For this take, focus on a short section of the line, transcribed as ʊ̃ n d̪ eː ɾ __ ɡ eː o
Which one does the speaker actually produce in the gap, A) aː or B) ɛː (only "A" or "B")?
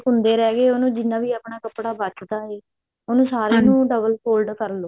B